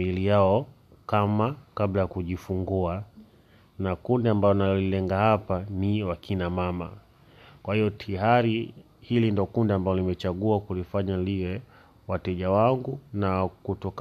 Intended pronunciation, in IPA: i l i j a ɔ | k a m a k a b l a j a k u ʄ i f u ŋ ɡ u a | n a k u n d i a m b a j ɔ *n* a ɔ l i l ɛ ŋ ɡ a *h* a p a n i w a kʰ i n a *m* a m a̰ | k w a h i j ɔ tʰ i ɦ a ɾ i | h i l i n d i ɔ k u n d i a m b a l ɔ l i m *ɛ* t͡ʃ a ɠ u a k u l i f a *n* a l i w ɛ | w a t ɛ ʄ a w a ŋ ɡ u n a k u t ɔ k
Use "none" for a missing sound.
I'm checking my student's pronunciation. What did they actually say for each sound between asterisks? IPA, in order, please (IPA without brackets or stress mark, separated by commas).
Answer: n, h, m, ɛ, ɲ